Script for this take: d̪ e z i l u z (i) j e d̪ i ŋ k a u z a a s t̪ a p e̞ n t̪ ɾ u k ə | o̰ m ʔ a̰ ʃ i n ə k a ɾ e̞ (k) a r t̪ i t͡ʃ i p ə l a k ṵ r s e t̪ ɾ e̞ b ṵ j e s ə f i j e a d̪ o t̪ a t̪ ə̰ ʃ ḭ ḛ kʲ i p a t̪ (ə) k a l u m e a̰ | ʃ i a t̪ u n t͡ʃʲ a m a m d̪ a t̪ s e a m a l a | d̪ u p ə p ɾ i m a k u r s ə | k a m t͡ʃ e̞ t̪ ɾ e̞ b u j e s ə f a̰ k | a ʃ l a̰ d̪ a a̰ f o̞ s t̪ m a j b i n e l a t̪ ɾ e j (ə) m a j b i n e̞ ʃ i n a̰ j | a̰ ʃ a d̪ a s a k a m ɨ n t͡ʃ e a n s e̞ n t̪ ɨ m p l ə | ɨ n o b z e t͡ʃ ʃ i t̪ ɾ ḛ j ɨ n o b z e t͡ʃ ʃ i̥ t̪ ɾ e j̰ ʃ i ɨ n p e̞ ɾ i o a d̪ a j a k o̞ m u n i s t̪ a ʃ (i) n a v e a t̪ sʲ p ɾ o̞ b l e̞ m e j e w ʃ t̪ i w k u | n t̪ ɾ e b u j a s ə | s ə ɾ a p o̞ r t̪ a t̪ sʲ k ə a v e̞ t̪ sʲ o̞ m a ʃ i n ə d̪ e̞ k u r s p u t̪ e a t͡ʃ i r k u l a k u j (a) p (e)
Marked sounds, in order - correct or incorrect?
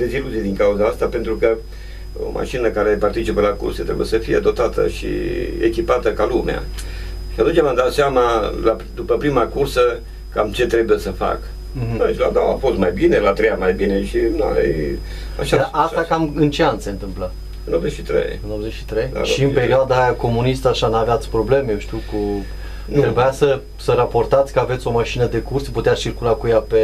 correct, incorrect: p, correct, incorrect: a, incorrect: a, correct, correct

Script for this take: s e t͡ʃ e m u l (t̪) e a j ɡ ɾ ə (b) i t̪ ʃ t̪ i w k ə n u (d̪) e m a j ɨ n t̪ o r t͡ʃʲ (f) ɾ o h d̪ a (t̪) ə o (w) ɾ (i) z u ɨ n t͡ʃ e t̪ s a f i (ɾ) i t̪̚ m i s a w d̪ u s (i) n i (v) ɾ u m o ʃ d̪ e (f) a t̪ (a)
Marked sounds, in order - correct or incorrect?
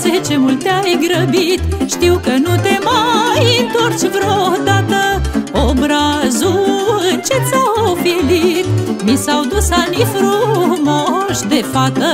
correct, correct, incorrect: t̪, incorrect: v, correct, incorrect: b, incorrect: a, incorrect: l, incorrect: a, incorrect: f, correct, incorrect: ə

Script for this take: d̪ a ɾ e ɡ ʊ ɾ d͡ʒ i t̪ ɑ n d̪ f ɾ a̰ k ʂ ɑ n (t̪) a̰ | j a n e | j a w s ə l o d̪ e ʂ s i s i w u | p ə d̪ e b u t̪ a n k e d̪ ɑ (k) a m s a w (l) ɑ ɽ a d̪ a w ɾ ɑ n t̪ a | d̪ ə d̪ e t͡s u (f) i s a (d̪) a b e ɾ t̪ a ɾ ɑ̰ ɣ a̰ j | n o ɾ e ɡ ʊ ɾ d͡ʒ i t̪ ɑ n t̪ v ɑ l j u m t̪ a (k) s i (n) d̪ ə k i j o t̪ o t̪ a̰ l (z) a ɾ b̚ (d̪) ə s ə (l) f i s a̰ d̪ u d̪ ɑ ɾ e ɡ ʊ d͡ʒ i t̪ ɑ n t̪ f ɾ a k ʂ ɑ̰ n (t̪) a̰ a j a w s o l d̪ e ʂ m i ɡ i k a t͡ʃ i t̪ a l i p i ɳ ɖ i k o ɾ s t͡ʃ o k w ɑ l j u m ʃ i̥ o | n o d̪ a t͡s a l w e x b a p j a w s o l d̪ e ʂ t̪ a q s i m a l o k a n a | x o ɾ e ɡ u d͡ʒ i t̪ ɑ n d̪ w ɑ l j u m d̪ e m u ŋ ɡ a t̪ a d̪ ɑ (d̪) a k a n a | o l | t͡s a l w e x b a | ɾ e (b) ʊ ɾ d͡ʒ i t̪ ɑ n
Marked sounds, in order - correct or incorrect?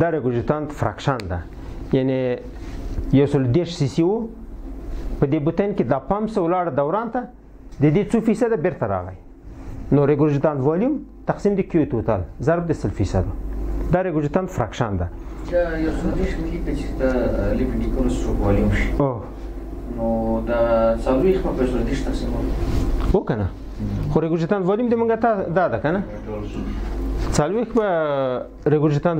incorrect: d̪, incorrect: p, correct, correct, correct, incorrect: q, incorrect: m, correct, correct, correct, incorrect: d̪, correct, incorrect: ɡ

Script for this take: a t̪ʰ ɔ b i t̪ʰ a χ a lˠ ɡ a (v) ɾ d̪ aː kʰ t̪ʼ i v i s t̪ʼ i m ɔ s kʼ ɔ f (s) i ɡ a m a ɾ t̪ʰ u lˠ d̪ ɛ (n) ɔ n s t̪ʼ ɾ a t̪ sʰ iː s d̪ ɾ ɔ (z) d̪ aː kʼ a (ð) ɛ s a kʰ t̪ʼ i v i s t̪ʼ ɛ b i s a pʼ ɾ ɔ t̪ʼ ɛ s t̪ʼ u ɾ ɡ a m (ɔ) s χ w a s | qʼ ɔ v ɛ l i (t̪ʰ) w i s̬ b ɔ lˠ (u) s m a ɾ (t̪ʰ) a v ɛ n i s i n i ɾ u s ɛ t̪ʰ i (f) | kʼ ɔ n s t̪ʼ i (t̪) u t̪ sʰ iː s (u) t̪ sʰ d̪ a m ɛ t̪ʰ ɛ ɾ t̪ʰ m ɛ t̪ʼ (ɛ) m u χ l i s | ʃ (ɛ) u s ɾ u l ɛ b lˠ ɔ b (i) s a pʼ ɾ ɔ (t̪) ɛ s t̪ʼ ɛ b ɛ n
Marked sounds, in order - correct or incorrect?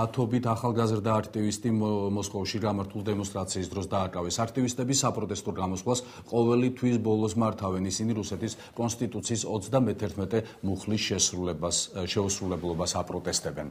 incorrect: z, incorrect: ʃ, incorrect: m, incorrect: s, incorrect: v, correct, correct, incorrect: ɔ, correct, incorrect: s, incorrect: t̪ʼ, incorrect: ɔ, correct, correct, incorrect: a, incorrect: t̪ʼ

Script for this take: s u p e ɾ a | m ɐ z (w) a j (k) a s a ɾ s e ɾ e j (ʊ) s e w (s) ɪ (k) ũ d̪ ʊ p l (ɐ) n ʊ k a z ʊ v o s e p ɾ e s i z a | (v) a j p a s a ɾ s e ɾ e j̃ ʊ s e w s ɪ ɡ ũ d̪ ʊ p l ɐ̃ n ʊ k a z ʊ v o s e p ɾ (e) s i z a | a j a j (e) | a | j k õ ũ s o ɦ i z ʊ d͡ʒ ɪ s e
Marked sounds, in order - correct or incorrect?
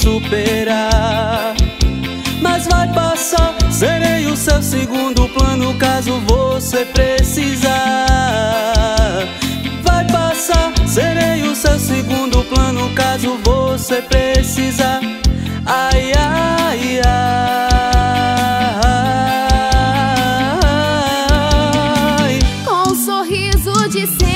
incorrect: v, incorrect: p, correct, correct, incorrect: ɡ, incorrect: ɐ̃, correct, correct, incorrect: a

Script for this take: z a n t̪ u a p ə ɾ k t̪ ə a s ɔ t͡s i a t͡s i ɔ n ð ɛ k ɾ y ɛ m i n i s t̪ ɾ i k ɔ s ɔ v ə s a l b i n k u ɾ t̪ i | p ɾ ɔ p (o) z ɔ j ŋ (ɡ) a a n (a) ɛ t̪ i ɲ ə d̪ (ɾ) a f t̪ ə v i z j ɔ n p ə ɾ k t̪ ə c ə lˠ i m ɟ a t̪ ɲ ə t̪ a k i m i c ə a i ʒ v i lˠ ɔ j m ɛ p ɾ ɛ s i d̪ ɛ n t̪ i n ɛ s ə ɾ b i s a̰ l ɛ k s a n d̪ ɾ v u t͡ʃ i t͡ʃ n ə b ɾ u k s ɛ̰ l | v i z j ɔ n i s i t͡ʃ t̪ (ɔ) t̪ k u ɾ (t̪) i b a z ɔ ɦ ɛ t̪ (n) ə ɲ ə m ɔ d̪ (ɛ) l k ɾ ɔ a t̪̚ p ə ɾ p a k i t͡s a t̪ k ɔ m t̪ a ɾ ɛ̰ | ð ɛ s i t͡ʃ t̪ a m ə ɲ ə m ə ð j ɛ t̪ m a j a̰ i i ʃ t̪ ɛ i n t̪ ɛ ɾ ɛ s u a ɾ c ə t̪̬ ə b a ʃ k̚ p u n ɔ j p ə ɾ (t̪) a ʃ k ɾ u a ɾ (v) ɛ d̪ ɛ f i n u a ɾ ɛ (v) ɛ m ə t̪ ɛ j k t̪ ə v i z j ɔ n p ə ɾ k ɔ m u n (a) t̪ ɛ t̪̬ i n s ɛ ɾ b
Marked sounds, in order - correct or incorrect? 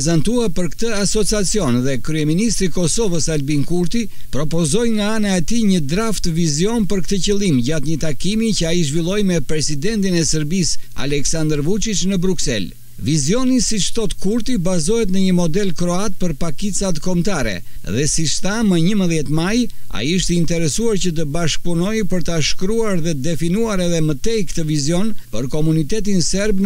incorrect: ɔ, correct, correct, correct, correct, correct, correct, correct, correct, incorrect: ð, incorrect: ð, incorrect: i

